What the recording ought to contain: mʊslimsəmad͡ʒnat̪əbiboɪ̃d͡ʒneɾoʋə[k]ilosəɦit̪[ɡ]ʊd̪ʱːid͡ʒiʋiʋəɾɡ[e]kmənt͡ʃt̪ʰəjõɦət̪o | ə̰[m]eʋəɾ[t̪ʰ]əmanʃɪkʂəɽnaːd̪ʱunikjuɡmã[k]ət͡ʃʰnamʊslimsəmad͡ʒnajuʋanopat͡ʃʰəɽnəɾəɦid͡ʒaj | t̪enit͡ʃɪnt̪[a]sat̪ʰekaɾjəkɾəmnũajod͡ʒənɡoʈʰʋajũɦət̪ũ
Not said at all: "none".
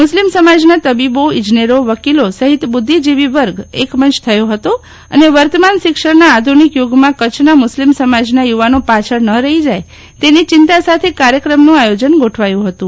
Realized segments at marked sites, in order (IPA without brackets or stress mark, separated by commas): k, b, e, n, t̪, k, a